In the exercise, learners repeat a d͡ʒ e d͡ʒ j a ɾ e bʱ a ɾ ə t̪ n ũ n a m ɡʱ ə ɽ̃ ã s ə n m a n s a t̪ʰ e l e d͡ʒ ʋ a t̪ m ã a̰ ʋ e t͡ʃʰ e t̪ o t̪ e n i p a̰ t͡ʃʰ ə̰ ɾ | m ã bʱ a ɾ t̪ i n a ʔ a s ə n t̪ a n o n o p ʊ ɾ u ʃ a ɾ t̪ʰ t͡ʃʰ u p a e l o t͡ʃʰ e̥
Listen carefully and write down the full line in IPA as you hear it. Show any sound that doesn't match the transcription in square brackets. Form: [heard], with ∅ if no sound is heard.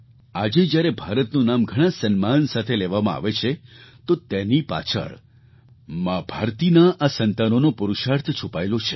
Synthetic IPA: a d͡ʒ e d͡ʒ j a ɾ e bʱ a ɾ ə t̪ n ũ n a m ɡʱ ə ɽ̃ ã s ə n m a n s a t̪ʰ e l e [∅] ʋ a [∅] m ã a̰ ʋ e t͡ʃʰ e t̪ o t̪ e n i p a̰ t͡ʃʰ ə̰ [ɭ] | m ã bʱ a ɾ t̪ i n a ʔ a s ə n t̪ a n o n o p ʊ ɾ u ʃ a ɾ t̪ʰ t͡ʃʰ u p a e l o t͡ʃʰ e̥